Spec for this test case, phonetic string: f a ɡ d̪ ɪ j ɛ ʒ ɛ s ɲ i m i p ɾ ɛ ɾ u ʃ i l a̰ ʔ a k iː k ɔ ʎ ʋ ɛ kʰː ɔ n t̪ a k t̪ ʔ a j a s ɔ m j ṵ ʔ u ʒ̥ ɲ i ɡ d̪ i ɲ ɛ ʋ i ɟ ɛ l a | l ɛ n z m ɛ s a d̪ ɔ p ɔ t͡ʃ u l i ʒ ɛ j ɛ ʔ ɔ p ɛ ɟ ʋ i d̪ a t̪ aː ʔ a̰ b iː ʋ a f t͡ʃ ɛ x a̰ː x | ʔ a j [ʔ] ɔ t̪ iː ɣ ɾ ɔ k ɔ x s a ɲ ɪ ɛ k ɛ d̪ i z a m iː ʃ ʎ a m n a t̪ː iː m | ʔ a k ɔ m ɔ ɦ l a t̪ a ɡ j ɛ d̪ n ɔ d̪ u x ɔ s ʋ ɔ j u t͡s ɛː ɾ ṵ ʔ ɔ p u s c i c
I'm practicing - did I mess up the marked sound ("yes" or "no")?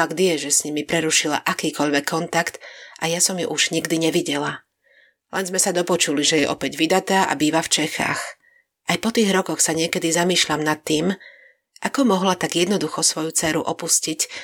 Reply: yes